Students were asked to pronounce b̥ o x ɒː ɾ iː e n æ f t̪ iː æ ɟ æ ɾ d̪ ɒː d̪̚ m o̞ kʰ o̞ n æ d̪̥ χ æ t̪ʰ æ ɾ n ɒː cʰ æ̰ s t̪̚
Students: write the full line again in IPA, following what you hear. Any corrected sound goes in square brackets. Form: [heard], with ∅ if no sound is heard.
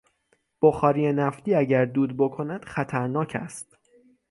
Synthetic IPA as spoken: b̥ o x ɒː ɾ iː e n æ f t̪ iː æ ɟ æ ɾ d̪ [uː] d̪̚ [b] o̞ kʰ o̞ n æ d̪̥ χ æ t̪ʰ æ ɾ n ɒː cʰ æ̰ s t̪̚